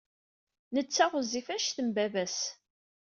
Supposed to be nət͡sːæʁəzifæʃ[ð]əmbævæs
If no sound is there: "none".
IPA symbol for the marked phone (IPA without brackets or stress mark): θ